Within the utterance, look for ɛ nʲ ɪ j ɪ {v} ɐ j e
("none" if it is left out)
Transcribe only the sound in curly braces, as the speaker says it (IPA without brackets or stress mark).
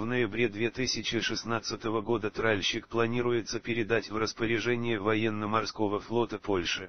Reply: v